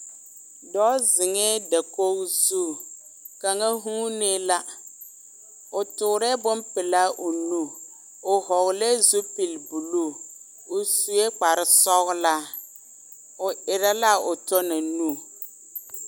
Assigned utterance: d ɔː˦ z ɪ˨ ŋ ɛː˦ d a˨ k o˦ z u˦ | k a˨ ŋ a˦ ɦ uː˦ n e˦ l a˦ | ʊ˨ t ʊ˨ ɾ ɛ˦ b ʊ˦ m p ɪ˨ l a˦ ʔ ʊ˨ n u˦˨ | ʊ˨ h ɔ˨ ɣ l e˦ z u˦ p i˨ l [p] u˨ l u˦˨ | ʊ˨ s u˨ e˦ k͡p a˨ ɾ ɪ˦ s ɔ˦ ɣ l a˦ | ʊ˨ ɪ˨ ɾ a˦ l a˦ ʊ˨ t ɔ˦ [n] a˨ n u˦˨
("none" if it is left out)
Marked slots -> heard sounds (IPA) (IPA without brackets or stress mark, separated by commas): b, n